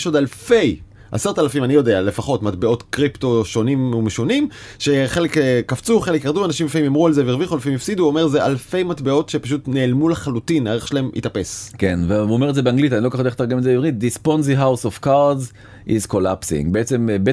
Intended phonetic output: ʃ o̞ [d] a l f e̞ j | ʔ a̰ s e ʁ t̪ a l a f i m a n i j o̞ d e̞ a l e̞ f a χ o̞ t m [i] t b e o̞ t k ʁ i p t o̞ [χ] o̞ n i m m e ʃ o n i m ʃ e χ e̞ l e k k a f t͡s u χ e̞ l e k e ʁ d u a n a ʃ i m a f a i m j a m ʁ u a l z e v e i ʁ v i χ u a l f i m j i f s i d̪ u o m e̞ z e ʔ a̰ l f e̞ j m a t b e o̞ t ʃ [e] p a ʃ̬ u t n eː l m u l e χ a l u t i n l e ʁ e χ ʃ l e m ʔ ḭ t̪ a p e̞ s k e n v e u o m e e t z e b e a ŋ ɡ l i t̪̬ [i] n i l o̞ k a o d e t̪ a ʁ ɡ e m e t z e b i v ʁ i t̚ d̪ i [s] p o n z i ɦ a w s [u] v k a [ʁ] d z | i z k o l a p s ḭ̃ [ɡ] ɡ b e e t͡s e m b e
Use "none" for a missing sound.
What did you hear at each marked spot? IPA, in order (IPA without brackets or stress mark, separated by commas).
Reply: d, a, ʃ, e, a, s, o, ʁ, ŋ